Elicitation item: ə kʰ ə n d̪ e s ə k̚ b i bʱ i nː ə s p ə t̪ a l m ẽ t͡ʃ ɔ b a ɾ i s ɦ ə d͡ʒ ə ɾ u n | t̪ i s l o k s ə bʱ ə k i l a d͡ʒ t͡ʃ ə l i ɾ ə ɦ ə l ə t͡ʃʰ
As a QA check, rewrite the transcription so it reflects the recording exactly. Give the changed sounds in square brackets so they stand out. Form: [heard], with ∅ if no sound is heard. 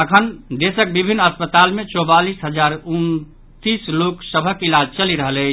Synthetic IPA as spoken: ə kʰ ə n d̪ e s ə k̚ b i bʱ i nː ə s p ə t̪ a l m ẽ t͡ʃ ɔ b a [l] i s ɦ ə d͡ʒ [a] ɾ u n | t̪ i s l o k s ə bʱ ə k i l a d͡ʒ t͡ʃ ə l i ɾ ə ɦ ə l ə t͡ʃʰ